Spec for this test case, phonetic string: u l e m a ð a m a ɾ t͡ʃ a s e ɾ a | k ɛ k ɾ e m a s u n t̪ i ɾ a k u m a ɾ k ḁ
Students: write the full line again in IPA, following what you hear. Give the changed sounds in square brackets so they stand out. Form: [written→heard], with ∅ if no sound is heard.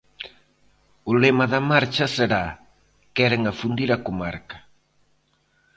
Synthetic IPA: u l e m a ð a m a ɾ t͡ʃ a s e ɾ a | k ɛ [k→∅] ɾ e [m→ŋ] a [s→f] u n [t̪→d̪] i ɾ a k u m a ɾ k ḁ